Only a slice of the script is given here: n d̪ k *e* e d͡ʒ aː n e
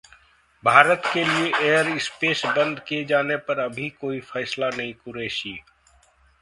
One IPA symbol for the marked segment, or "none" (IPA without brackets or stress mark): i